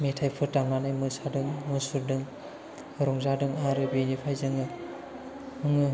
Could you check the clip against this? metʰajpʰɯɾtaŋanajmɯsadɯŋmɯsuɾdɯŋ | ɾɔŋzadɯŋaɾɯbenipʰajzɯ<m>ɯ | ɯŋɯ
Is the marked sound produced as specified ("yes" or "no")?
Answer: no